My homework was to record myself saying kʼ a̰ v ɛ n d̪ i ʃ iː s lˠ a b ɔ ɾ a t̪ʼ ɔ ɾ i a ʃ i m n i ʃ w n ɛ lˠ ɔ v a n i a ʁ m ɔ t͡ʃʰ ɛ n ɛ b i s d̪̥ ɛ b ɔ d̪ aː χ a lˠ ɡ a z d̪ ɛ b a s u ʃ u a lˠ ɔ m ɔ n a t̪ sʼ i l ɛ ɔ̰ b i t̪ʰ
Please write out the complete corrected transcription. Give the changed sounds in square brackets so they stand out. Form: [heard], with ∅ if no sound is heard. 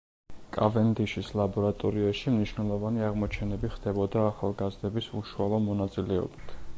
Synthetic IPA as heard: kʼ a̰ v ɛ n d̪ i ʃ [i] s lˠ a b ɔ ɾ a t̪ʼ ɔ ɾ i a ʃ i m n i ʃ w n ɛ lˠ ɔ v a n i a ʁ m ɔ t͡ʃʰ ɛ n ɛ b i [χ] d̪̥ ɛ b ɔ d̪ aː χ a lˠ ɡ a z d̪ ɛ b [i] s u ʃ u a lˠ ɔ m ɔ n a t̪ sʼ i l ɛ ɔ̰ b i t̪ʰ